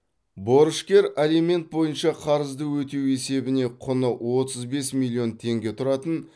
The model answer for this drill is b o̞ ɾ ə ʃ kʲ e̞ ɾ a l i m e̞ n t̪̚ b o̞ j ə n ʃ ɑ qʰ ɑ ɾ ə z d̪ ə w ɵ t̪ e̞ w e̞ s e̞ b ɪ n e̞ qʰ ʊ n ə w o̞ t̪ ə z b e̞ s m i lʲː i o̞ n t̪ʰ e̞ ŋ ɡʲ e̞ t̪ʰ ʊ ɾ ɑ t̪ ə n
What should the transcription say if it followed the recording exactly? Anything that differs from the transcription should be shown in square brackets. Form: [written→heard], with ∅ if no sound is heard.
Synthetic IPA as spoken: b o̞ ɾ ə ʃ kʲ e̞ ɾ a l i m e̞ n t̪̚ b o̞ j ə n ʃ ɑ qʰ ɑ ɾ ə z d̪ ə w ɵ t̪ e̞ w e̞ s e̞ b ɪ n e̞ qʰ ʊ n ə w o̞ t̪ ə z b e̞ s m i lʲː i o̞ n t̪ʰ e̞ ŋ ɡʲ e̞ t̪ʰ ʊ ɾ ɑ t̪ ə n